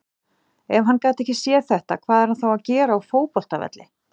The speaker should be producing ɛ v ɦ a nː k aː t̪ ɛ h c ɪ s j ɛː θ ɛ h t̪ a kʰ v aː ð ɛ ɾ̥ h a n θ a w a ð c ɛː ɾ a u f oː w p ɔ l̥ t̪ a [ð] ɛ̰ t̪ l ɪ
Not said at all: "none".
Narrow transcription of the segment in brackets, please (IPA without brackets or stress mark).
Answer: v